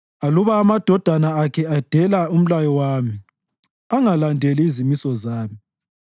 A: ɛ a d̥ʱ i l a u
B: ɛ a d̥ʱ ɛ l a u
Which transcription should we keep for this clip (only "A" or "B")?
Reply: B